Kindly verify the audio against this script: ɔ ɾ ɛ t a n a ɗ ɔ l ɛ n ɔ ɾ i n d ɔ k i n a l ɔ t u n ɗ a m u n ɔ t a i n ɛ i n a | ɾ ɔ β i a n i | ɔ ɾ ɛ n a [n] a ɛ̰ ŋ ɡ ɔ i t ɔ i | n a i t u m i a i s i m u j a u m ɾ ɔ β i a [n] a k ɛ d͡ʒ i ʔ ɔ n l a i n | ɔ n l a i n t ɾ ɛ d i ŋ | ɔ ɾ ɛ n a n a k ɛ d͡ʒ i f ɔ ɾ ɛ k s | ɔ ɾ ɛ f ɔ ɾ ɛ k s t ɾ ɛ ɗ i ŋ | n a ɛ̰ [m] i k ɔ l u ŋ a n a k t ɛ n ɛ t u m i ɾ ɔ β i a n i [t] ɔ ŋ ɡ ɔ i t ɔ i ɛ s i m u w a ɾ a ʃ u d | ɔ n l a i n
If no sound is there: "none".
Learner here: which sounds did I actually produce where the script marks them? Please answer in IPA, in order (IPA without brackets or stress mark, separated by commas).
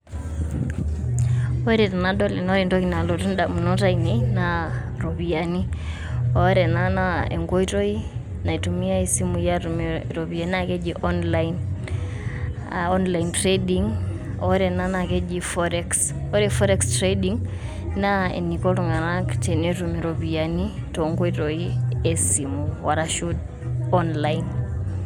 n, n, n, t